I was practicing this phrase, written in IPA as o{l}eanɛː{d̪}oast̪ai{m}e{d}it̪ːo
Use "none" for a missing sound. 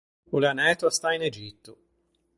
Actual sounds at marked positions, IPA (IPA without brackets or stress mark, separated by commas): l, t̪, n, d͡ʒ